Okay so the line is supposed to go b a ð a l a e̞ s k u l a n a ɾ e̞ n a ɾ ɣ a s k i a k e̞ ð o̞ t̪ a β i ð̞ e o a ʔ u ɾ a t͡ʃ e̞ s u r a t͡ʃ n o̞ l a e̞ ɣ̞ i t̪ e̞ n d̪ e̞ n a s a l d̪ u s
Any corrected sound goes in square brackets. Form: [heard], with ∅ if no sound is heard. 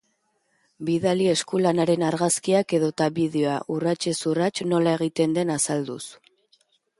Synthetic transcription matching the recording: b [i] ð a l [i] e̞ s k u l a n a ɾ e̞ n a ɾ ɣ a s k i a k e̞ ð o̞ t̪ a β i ð̞ e o a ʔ u [r] a t͡ʃ e̞ s u r a t͡ʃ n o̞ l a e̞ ɣ̞ i t̪ e̞ n d̪ e̞ n a s a l d̪ u s